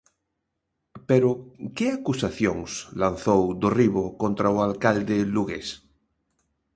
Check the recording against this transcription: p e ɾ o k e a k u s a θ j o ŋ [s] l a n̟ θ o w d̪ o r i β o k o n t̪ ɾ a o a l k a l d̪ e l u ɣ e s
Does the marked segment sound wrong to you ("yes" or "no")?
no